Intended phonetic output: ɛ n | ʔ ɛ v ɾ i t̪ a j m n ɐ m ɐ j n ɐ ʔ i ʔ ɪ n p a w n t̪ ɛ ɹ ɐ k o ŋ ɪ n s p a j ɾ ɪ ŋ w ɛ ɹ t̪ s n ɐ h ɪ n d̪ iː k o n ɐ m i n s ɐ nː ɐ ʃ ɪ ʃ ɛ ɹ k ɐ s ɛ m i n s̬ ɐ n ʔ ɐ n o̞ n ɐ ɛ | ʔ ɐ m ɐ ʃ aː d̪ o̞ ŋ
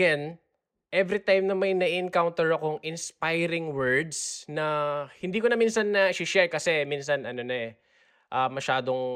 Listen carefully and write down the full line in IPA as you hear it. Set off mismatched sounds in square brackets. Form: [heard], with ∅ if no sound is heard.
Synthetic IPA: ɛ n | ʔ ɛ v ɾ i t̪ a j m n ɐ m ɐ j n ɐ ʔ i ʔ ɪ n [k] a w n t̪ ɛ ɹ ɐ k o ŋ ɪ n s p a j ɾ ɪ ŋ w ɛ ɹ [d̪] s n ɐ h ɪ n d̪ iː k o n ɐ m i n s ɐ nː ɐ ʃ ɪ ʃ ɛ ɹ k ɐ s ɛ m i n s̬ ɐ n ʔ ɐ n o̞ n ɐ ɛ | ʔ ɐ m ɐ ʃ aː d̪ o̞ ŋ